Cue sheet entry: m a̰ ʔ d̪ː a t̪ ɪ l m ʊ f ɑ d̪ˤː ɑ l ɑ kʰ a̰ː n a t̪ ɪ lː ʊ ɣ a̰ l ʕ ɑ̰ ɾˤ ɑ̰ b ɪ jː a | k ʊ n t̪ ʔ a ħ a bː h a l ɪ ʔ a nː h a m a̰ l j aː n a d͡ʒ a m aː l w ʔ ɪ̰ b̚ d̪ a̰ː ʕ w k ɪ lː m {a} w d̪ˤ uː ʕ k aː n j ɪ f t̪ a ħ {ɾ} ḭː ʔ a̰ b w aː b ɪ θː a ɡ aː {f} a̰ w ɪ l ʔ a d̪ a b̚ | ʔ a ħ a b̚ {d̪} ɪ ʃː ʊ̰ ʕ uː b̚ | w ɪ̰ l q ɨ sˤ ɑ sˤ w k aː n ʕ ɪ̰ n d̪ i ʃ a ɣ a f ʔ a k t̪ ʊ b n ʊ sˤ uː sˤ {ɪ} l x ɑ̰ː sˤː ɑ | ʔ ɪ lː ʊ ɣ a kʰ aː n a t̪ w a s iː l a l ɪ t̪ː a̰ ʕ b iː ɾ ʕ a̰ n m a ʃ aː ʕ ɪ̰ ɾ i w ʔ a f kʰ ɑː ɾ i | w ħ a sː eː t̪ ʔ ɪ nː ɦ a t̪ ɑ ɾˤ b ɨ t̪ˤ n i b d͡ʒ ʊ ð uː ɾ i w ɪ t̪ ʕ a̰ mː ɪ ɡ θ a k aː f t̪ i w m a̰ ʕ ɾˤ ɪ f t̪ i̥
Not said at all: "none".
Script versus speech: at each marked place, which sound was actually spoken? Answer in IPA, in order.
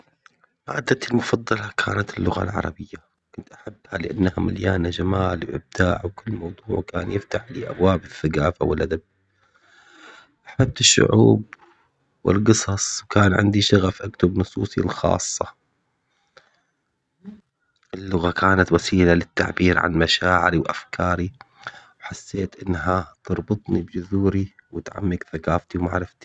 ɑ, l, f, t̪, i

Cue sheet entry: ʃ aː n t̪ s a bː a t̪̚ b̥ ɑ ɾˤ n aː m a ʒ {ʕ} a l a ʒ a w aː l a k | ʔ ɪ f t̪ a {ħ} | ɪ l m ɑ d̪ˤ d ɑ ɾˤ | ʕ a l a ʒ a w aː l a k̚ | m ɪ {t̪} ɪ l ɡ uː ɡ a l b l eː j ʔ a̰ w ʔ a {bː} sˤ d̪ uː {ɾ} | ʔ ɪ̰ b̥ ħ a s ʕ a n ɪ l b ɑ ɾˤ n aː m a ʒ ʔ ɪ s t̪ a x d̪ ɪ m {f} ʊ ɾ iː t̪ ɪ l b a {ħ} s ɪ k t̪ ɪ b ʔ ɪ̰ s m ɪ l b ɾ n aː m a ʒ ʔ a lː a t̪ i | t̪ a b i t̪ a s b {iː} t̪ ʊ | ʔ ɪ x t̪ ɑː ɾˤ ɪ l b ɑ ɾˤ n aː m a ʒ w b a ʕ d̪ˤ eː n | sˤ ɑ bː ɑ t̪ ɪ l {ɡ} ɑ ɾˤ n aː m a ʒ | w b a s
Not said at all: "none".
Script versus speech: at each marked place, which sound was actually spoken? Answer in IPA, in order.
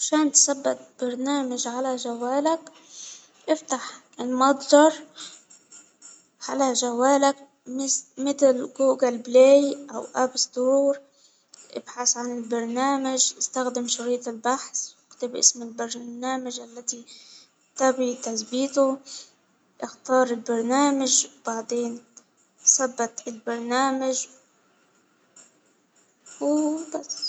ʕ, ħ, t̪, b, ɾ, ʃ, ħ, iː, b

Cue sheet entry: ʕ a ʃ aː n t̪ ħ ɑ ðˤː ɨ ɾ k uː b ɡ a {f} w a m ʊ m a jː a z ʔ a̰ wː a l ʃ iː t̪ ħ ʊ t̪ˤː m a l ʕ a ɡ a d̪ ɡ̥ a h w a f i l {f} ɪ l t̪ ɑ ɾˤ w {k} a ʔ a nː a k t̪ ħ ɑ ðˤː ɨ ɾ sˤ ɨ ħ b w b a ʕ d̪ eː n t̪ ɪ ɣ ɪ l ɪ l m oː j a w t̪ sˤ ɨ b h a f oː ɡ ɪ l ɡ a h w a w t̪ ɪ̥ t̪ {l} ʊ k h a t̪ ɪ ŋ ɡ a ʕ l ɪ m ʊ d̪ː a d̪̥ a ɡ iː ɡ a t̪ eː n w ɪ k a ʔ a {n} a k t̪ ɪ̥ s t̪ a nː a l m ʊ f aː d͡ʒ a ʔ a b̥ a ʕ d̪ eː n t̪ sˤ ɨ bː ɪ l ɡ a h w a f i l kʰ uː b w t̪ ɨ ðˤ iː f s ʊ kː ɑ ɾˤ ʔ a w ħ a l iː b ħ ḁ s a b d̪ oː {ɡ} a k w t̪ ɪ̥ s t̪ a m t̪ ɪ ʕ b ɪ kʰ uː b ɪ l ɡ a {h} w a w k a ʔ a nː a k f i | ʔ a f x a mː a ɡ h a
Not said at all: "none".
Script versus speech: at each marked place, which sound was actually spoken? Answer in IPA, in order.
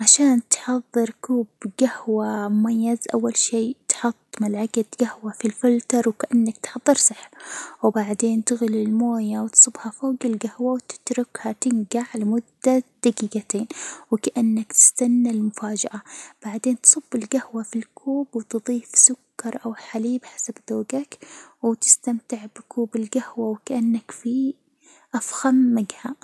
h, f, k, ɾ, nː, ɡ, h

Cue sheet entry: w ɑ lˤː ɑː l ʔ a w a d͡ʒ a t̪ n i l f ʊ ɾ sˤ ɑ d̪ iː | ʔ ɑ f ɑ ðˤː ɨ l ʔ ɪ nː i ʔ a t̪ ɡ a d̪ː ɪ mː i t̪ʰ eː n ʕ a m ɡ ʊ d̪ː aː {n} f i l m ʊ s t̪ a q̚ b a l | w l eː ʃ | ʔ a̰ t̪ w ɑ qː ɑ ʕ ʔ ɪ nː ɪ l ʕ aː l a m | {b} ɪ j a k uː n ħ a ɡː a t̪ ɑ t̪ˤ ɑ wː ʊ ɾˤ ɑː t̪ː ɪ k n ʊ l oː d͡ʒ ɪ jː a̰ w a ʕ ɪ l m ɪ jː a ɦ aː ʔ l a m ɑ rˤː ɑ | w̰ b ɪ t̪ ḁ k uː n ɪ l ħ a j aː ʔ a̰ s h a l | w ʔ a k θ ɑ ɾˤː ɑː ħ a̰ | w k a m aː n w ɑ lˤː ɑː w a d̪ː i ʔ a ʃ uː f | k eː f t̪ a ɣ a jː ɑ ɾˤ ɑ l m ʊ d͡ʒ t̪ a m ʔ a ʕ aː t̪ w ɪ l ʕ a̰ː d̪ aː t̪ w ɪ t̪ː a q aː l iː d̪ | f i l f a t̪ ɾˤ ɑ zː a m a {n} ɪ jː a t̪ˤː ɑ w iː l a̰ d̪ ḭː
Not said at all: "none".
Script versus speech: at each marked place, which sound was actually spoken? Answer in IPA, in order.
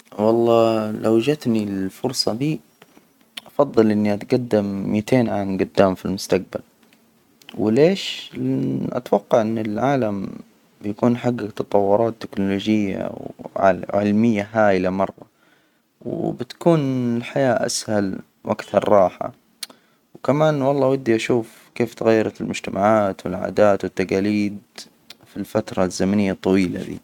m, b, n

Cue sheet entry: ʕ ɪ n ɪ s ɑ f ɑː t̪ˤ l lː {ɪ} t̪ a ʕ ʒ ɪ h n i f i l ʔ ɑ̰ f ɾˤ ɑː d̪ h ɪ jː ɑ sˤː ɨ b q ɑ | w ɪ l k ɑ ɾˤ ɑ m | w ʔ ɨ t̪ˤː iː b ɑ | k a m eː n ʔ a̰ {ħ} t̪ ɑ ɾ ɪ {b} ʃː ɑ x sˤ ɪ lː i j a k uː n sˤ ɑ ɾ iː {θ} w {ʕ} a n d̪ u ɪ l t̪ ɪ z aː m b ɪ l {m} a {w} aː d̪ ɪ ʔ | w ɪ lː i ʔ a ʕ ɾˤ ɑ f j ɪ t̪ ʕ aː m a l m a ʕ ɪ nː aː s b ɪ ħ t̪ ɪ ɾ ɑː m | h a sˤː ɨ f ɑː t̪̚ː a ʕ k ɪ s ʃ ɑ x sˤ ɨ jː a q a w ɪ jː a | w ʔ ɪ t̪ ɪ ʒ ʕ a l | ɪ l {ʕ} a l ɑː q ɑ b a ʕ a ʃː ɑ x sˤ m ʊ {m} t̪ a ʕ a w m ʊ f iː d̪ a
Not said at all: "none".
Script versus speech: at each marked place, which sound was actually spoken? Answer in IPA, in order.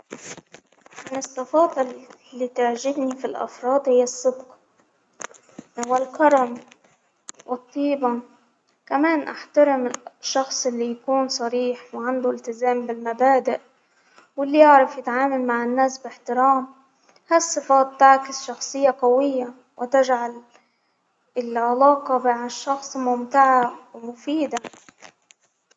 i, ħ, m, ħ, ʕ, m, b, ʕ, m

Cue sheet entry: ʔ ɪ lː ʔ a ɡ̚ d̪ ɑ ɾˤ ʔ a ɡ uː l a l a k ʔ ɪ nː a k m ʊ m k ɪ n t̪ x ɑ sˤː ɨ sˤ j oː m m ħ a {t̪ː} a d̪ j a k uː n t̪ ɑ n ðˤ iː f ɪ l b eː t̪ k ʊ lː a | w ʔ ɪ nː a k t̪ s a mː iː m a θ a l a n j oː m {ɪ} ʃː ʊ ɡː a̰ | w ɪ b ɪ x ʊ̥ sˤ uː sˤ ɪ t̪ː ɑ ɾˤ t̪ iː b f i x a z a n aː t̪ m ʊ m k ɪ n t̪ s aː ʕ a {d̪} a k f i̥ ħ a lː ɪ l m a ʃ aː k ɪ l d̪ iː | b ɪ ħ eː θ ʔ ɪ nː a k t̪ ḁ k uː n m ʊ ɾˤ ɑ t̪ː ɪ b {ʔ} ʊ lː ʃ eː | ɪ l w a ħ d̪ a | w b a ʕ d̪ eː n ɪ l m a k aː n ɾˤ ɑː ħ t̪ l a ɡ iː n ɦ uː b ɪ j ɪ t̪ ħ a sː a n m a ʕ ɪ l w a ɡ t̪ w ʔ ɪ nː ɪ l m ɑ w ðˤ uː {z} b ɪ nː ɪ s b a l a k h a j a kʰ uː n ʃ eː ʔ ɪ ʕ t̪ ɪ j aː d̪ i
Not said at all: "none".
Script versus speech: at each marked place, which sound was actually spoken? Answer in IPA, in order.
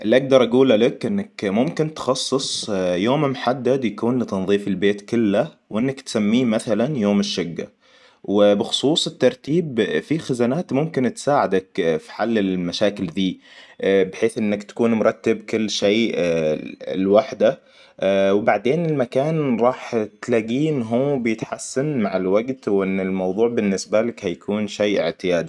d̪ː, ɪ, d̪, k, ʕ

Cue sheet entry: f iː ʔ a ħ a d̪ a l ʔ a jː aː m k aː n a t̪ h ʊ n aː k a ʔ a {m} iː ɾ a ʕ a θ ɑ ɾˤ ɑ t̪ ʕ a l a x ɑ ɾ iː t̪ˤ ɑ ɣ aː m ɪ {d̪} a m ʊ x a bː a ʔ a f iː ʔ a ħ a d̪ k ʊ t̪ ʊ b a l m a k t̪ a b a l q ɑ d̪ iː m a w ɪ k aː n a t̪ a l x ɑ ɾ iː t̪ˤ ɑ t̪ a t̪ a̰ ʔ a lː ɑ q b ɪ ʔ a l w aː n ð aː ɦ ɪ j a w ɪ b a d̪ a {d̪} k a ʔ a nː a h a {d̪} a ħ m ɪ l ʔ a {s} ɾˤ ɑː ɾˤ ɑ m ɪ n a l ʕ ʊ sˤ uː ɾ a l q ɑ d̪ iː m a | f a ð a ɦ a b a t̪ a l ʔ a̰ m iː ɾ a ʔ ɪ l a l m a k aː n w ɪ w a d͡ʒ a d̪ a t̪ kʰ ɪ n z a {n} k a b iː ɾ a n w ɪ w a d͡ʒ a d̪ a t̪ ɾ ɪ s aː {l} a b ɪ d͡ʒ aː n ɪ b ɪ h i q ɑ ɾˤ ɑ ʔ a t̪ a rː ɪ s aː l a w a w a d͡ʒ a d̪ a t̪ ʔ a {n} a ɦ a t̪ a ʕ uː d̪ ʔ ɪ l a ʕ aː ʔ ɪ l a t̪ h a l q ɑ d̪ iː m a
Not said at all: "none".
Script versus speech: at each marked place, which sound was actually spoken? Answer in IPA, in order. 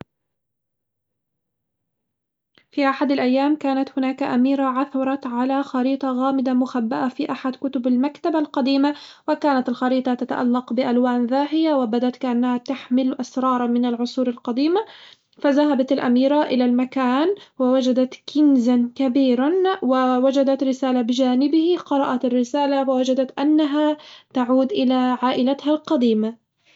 m, d̪, t̪, t̪, s, n, l, nː

